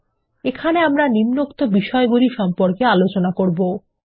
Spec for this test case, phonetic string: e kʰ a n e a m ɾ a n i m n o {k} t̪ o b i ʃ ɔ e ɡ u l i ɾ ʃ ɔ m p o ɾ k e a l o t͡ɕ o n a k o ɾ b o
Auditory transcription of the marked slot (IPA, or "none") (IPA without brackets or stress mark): k